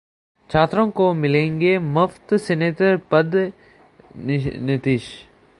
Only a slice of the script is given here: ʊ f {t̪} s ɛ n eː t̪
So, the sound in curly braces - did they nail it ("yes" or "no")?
yes